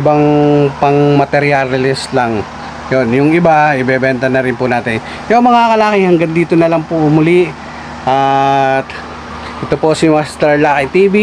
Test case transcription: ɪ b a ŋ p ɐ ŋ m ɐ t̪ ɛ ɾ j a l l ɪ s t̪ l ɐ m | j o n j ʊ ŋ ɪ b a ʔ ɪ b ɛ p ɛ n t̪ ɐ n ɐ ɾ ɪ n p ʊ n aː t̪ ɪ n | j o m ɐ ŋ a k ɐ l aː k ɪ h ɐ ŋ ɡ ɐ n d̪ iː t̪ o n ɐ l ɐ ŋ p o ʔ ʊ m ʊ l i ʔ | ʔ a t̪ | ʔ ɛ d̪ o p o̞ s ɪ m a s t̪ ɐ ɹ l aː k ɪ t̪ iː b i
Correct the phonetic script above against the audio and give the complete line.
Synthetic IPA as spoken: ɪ b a ŋ p ɐ ŋ m ɐ t̪ ɛ ɾ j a l l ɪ s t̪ l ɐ ŋ | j o n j ʊ ŋ ɪ b a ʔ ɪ b ɛ b ɛ n t̪ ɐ n ɐ ɾ ɪ n p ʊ n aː t̪ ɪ n | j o m ɐ ŋ a k ɐ l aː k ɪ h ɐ ŋ ɡ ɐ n d̪ iː t̪ o n ɐ l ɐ ŋ p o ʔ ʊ m ʊ l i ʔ | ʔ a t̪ | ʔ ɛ t̪ o p o̞ s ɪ m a s t̪ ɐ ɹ l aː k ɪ t̪ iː b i